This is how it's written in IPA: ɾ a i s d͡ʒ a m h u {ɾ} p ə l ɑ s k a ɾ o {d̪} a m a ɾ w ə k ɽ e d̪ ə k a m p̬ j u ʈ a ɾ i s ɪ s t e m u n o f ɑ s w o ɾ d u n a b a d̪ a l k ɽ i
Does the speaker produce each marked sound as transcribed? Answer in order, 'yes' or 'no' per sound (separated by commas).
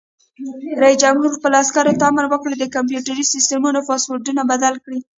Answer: yes, no